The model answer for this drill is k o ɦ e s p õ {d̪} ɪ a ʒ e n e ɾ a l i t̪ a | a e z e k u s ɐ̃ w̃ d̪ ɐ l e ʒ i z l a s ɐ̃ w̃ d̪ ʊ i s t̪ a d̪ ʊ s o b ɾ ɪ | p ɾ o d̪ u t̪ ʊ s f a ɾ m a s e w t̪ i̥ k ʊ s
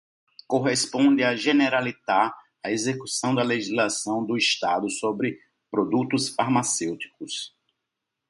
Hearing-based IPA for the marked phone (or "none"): d̪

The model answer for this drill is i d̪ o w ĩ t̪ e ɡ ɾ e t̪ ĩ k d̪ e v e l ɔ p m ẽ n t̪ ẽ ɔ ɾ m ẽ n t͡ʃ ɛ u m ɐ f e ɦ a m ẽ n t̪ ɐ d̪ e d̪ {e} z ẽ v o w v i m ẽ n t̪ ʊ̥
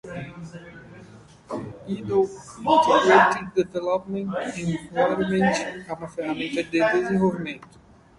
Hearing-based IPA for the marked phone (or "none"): e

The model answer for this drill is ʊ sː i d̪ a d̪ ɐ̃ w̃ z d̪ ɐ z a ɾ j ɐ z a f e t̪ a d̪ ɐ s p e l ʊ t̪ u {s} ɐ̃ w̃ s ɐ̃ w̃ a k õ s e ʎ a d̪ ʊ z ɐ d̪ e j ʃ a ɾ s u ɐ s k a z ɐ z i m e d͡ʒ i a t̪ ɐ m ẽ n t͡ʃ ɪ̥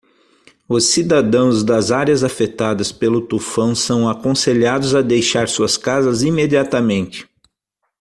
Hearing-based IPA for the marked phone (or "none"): f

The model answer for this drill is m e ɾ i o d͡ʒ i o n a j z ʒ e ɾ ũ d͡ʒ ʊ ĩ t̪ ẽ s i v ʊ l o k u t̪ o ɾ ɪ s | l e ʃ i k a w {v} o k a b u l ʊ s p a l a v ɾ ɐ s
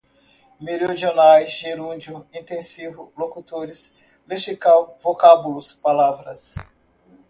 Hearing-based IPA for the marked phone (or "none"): v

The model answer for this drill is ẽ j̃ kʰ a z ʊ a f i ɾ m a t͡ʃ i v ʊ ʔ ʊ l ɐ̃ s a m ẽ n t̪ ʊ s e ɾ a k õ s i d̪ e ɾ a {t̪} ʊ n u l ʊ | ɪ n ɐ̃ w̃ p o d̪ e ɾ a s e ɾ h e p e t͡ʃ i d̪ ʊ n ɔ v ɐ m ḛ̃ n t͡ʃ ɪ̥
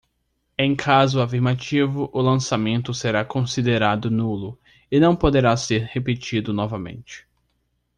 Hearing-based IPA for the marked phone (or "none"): d̪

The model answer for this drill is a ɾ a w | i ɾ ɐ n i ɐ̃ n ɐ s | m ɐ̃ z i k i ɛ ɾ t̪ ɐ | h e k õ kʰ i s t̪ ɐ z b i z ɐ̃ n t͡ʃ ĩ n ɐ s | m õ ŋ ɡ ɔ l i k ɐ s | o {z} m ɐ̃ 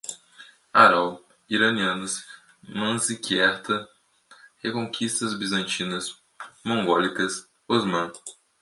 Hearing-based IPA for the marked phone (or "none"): z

